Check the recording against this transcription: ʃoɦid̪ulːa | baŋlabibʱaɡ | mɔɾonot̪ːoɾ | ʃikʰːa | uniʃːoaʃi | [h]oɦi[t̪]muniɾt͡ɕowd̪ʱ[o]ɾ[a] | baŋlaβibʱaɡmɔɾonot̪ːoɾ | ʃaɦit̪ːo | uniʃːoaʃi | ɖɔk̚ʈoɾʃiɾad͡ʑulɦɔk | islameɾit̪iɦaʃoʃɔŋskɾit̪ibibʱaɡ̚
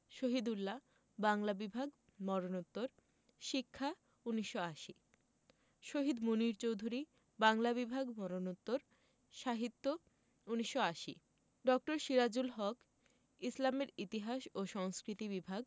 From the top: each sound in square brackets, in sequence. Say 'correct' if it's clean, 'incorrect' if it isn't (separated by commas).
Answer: incorrect, incorrect, incorrect, incorrect